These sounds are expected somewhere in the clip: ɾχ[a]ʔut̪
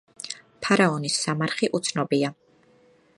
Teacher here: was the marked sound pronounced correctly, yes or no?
no